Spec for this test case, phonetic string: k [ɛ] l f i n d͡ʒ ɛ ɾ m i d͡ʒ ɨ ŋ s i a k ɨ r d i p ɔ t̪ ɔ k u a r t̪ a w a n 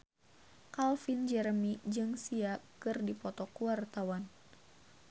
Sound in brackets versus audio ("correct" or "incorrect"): incorrect